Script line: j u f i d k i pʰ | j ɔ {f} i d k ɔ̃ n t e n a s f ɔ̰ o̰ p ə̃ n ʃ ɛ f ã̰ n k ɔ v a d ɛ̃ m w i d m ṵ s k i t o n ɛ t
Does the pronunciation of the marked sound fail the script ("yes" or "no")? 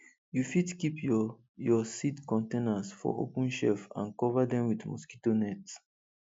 yes